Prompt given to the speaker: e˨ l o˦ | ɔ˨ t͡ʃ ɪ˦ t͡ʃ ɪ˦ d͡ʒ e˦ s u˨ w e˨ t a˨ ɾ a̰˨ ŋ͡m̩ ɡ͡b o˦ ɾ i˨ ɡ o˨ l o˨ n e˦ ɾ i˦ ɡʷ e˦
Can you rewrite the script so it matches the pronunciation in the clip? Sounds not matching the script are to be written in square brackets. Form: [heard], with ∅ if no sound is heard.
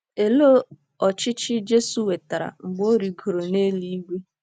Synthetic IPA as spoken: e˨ l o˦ | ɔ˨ t͡ʃ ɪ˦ t͡ʃ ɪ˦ d͡ʒ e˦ s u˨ w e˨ t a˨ ɾ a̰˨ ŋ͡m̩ ɡ͡b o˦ ɾ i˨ ɡ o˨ [ɾ] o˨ n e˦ [l] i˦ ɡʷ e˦